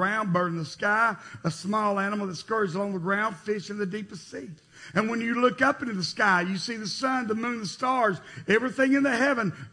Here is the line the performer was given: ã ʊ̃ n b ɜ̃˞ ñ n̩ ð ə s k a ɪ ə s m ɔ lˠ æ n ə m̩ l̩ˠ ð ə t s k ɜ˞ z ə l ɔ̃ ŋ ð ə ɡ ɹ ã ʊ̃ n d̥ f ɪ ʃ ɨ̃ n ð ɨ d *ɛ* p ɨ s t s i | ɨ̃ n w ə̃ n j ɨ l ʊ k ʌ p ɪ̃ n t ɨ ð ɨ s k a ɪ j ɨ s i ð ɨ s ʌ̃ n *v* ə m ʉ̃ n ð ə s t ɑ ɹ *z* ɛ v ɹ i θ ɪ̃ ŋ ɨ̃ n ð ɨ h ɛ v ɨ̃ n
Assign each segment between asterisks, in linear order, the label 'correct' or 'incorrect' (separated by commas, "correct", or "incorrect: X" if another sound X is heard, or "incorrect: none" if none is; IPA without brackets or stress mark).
incorrect: i, incorrect: ð, correct